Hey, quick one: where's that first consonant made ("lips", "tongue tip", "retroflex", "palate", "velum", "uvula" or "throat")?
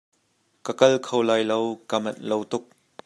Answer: velum